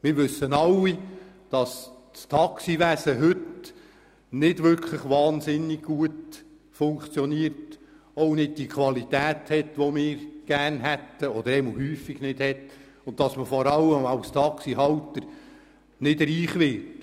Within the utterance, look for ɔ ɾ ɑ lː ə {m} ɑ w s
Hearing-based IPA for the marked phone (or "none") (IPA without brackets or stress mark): m